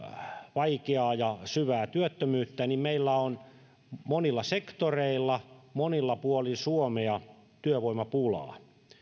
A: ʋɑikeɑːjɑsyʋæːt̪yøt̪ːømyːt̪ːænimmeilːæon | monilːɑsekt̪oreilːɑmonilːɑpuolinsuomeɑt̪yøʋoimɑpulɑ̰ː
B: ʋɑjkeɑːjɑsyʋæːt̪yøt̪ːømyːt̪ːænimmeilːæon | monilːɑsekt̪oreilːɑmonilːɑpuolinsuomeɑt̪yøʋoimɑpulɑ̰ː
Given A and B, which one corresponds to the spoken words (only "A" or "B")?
A